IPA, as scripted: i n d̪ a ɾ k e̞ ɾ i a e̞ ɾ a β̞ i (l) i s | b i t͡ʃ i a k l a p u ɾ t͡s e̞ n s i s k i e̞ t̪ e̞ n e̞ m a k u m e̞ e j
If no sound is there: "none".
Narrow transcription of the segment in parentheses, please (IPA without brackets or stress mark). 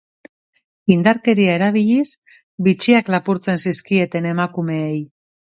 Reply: ʎ